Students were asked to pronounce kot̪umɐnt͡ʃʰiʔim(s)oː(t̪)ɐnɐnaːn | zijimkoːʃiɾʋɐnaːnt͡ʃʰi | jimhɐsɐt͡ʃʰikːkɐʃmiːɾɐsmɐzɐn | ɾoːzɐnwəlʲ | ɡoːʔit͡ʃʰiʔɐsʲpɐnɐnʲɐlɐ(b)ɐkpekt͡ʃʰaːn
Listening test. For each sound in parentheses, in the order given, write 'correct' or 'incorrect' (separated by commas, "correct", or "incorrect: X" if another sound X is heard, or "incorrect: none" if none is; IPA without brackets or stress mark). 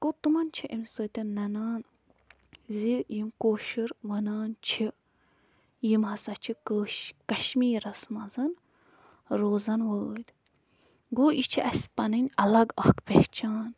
correct, correct, incorrect: ɡ